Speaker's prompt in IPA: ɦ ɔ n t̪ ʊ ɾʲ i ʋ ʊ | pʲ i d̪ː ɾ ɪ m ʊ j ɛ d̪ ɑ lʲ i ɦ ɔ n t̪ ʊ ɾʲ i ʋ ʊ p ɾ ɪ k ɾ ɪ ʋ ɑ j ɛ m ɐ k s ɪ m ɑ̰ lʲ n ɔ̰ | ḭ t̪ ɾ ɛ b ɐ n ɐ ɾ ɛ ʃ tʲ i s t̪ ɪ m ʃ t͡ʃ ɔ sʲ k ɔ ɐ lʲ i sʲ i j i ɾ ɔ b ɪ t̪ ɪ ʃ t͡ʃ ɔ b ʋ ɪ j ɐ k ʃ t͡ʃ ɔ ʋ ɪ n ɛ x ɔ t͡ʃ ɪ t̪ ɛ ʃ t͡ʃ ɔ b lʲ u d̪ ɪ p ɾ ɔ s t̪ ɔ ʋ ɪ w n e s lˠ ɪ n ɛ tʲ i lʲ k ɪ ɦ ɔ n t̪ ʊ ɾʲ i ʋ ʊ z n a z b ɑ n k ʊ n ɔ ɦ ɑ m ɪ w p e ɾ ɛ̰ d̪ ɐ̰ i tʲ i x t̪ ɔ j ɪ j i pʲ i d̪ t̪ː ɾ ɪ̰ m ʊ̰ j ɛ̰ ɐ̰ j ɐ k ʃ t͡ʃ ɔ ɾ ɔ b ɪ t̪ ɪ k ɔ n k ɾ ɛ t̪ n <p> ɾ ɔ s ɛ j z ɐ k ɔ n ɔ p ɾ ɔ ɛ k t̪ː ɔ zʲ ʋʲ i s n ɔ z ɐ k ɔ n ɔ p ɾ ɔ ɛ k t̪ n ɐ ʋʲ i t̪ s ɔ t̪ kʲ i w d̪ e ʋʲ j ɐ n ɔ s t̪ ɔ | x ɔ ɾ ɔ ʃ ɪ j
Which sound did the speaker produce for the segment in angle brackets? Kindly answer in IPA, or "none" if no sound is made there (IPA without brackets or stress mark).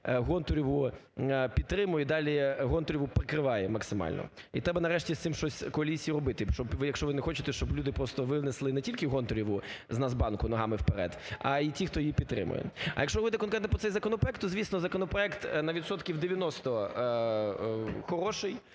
p